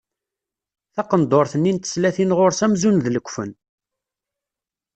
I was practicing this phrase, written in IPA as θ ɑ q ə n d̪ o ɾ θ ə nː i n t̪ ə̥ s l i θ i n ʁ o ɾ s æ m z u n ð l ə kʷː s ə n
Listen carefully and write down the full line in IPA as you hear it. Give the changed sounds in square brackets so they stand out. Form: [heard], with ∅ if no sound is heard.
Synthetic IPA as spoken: θ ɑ q ə n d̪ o ɾ θ ə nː i n t̪ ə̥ s l [æ] θ i n ʁ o ɾ s æ m z u n ð l ə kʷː [f] ə n